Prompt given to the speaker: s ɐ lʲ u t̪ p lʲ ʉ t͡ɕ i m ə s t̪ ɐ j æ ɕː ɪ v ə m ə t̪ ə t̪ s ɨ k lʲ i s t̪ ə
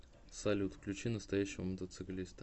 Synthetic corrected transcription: s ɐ lʲ u t̪ k lʲ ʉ t͡ɕ i n ə s t̪ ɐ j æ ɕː ɪ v ə m ə t̪ ə t̪ s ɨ k lʲ i s t̪ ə